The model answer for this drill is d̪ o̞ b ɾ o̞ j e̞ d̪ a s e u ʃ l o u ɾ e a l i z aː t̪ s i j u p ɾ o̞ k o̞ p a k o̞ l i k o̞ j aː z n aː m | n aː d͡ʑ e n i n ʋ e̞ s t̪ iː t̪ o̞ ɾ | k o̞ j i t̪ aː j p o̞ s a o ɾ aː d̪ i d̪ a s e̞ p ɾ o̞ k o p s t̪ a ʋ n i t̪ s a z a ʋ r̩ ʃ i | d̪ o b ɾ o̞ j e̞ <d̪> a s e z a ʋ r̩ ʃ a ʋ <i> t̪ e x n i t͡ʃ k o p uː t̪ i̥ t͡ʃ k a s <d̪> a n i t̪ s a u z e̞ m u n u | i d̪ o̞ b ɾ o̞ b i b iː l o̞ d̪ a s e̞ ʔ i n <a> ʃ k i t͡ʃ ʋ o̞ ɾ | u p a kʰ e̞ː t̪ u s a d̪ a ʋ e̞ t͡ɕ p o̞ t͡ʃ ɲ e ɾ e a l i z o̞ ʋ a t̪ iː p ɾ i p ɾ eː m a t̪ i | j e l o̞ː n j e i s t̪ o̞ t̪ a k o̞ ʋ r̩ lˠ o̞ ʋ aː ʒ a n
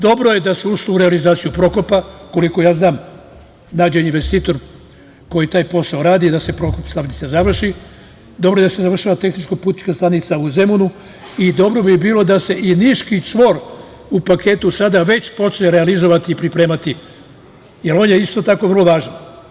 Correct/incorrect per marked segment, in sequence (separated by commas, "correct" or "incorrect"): correct, incorrect, incorrect, incorrect